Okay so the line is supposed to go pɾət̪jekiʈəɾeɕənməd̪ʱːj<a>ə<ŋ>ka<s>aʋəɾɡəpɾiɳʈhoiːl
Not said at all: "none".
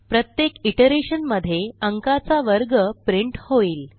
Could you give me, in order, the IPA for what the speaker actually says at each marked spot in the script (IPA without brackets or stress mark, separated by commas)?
e, ŋ, t͡s